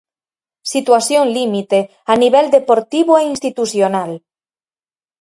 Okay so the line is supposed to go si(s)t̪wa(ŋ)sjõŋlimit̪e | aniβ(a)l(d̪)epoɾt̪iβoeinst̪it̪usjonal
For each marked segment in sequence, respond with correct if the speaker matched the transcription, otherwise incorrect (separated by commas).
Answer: incorrect, incorrect, incorrect, correct